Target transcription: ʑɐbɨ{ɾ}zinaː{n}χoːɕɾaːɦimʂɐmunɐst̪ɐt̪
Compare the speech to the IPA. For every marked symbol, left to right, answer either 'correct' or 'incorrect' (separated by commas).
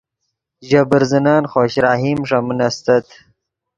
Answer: correct, correct